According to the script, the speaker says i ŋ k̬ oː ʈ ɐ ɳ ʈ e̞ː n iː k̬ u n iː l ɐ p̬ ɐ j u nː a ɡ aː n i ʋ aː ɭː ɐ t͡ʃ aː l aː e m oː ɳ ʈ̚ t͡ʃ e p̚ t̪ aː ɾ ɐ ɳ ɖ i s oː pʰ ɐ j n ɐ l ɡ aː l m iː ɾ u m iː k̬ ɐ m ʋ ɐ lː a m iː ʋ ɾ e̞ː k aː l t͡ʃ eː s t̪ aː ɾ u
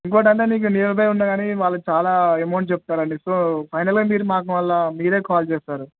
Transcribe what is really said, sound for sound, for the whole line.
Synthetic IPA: i ŋ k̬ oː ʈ ɐ ɳ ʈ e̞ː n iː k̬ u n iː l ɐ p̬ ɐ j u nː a ɡ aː n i ʋ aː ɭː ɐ t͡ʃ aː l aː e m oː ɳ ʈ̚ t͡ʃ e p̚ t̪ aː ɾ ɐ ɳ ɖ i s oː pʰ ɐ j n ɐ l ɡ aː m iː ɾ u m aː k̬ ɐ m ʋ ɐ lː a m iː ɾ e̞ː k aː l t͡ʃ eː s t̪ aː ɾ u